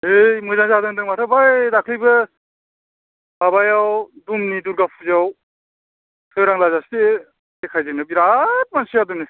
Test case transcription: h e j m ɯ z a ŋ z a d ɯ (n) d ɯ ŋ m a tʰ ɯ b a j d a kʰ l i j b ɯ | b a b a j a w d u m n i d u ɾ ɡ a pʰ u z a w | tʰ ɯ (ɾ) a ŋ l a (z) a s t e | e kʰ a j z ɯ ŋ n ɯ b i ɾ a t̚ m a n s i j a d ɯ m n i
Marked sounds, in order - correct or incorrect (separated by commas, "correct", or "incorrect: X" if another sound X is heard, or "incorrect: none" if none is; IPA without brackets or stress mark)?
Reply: incorrect: ŋ, correct, correct